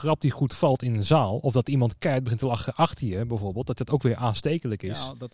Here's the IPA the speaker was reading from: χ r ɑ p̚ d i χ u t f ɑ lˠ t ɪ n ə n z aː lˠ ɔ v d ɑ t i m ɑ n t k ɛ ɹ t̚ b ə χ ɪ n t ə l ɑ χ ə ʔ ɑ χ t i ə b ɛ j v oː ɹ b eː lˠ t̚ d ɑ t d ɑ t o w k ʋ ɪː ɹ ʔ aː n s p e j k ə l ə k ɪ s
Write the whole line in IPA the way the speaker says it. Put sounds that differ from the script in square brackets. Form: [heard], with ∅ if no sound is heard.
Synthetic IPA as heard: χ r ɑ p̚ d i χ u t f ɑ lˠ t ɪ n ə n z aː lˠ ɔ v d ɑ t i m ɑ n t k ɛ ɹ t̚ b ə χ ɪ n t ə l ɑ χ ə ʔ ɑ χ t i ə b ɛ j v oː ɹ b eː lˠ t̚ d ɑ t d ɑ t o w k ʋ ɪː ɹ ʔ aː n s [t] e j k ə l ə k ɪ s